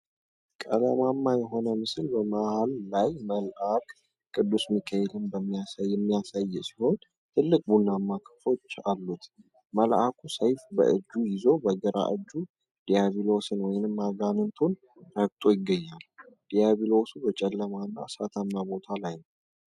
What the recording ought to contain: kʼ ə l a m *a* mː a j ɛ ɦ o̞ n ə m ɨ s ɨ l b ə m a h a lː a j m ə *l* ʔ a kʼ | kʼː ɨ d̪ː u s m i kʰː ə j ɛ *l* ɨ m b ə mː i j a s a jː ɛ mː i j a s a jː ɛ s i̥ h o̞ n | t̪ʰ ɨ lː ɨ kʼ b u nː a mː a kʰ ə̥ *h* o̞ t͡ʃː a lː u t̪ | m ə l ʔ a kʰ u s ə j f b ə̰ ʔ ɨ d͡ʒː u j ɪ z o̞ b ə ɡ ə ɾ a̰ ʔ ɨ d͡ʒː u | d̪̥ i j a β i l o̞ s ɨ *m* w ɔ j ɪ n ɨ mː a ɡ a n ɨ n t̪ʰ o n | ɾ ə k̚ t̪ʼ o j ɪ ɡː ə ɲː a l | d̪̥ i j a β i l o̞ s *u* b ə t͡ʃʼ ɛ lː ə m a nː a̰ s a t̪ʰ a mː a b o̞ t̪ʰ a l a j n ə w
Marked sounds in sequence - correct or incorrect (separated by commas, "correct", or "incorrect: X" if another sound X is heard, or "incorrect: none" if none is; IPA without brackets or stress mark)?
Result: correct, correct, correct, incorrect: f, incorrect: n, correct